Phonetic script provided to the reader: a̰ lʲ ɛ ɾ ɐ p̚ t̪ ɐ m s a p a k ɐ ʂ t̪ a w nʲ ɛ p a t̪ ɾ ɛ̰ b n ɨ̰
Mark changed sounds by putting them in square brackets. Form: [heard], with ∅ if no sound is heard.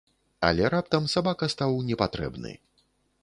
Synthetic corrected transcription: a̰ lʲ ɛ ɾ [a] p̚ t̪ ɐ m s a [b] a k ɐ [s] t̪ a w nʲ ɛ p a t̪ ɾ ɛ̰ b n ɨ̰